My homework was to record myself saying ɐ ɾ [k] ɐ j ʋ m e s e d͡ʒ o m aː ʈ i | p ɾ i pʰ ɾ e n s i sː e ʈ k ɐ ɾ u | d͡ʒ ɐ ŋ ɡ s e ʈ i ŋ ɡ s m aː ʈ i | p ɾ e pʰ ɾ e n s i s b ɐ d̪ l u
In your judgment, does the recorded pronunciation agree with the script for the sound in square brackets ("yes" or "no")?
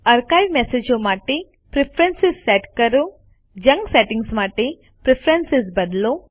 yes